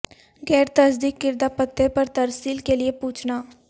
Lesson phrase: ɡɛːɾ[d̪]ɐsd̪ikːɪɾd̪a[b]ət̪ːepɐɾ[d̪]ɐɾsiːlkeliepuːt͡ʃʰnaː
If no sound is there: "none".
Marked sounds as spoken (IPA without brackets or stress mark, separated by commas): t̪, p, t̪